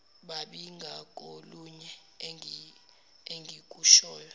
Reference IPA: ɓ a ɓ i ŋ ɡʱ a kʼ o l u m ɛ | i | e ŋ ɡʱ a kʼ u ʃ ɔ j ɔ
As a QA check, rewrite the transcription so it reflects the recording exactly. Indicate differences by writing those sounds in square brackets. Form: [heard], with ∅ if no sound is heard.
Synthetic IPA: ɓ a ɓ i ŋ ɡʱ a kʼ o l u [ɲ] ɛ | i | e ŋ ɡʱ [i] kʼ u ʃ [ɔː] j ɔ